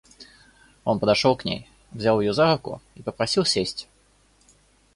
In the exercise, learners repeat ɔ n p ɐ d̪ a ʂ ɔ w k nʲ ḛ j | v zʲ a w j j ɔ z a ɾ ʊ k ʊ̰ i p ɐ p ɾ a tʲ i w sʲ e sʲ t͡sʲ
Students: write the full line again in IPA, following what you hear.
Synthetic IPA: ɔ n p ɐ d̪ a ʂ ɔ w k nʲ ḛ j | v zʲ a w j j ɔ z a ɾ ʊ k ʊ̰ i p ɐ p ɾ a sʲ i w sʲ e sʲ t͡sʲ